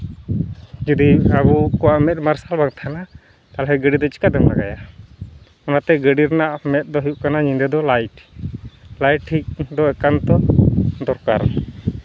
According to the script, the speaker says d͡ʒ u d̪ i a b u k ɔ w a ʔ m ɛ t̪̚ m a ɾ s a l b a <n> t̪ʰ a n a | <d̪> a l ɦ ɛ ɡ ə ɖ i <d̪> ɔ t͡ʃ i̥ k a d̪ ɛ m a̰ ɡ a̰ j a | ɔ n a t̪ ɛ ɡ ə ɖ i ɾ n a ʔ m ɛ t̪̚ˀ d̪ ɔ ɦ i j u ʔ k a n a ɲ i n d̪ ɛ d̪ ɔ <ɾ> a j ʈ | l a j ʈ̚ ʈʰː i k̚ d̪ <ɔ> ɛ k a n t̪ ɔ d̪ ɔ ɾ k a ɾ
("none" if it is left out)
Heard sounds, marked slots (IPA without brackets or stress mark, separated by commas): ŋ, t̪, d̪, l, ɔ